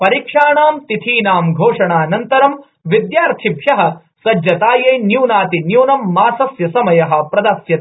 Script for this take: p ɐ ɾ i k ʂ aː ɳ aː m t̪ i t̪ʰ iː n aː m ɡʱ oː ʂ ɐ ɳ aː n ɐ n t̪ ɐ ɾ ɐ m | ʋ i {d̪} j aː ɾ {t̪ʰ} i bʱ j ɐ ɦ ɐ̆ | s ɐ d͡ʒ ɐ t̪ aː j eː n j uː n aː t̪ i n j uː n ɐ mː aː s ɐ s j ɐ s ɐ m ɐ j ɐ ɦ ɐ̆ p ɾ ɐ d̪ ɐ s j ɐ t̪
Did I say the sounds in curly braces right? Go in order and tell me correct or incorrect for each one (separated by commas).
correct, correct